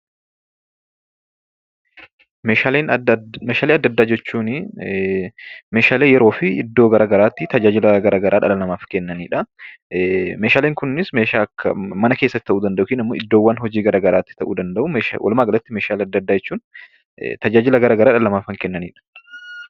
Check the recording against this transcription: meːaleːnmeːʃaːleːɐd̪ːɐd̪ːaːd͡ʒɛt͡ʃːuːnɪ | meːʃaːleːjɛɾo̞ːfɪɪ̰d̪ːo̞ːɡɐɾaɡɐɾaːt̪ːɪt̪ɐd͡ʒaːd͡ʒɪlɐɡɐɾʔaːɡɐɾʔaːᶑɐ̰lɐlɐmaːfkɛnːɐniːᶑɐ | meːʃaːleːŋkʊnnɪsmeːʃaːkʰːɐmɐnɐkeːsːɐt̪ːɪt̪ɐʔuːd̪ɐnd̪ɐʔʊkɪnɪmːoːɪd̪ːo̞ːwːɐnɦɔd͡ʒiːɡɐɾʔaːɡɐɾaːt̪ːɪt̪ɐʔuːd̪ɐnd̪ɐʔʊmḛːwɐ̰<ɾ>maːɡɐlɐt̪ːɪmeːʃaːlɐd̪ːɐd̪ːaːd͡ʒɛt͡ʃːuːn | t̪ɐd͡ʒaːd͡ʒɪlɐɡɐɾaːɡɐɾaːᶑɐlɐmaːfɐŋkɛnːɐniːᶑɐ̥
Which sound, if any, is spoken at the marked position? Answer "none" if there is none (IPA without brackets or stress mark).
l